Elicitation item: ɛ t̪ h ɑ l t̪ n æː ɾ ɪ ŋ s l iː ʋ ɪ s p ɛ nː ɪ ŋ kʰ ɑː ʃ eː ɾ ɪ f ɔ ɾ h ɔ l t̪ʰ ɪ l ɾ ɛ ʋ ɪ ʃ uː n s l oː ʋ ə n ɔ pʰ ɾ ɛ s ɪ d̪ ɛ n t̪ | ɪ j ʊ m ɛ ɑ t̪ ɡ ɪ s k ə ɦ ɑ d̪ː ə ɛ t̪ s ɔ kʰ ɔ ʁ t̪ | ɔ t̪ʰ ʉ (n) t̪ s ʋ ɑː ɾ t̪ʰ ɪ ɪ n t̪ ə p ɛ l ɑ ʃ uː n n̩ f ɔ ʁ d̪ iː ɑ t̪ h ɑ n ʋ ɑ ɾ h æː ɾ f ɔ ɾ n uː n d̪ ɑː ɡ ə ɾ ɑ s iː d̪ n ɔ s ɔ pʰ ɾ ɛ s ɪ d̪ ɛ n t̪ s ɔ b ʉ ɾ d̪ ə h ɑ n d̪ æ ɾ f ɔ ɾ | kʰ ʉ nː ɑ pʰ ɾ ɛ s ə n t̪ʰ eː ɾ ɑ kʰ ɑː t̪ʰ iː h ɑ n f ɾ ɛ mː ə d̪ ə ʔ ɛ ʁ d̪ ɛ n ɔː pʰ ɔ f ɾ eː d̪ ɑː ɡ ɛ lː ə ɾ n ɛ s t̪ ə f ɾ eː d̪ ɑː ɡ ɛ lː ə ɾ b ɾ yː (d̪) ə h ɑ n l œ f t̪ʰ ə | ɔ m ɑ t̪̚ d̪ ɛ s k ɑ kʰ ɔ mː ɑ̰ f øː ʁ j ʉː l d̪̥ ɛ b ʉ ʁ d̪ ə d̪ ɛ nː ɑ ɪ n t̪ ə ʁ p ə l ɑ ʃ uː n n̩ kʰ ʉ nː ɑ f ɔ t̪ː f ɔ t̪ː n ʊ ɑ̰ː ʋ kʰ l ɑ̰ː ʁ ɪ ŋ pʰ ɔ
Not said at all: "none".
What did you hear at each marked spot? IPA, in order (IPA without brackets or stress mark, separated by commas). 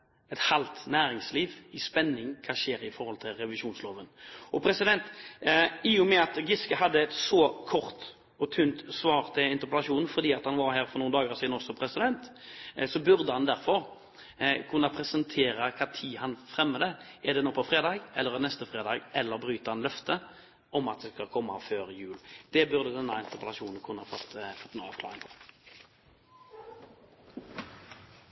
n, t̪